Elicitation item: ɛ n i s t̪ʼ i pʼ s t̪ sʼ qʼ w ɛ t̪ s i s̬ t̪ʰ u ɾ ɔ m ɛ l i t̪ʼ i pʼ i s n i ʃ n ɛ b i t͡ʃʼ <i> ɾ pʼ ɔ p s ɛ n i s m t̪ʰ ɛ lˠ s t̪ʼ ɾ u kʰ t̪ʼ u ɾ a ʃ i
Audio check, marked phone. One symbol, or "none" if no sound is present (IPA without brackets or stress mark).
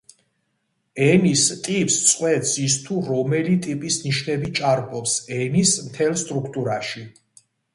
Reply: a